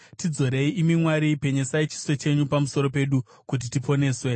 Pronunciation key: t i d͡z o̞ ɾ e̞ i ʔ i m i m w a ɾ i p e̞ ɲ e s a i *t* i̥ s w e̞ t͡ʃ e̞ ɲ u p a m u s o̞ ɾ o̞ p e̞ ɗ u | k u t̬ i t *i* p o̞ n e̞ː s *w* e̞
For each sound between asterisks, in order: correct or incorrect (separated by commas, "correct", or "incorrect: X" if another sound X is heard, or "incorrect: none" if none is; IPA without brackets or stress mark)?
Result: incorrect: t͡ʃ, correct, correct